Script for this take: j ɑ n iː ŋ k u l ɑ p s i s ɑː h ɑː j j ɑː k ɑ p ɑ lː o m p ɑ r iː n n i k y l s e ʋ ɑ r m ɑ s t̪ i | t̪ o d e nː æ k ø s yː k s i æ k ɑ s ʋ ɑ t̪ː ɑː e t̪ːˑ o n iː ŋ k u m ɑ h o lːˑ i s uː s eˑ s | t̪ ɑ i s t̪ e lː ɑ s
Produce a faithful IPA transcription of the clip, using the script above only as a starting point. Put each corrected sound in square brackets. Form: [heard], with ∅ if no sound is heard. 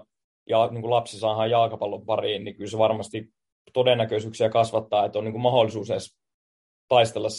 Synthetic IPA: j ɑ n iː ŋ k u l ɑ p s i s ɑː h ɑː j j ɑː k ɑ p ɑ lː o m p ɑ r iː n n i k y l s e ʋ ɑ r m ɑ s t̪ i | t̪ o d e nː æ k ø s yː k s i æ k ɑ s ʋ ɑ t̪ː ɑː e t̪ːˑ o n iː ŋ k u m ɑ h o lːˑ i s uː s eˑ s | t̪ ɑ i s t̪ e lː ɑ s